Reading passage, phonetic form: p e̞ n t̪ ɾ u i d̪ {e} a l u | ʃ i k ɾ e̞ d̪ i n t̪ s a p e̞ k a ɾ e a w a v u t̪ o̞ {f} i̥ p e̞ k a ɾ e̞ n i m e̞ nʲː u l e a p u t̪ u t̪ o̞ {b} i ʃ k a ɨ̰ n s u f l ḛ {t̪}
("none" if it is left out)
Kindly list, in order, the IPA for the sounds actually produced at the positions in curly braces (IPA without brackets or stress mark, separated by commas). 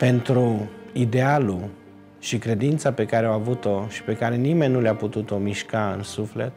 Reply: e, ʃ, m, t̪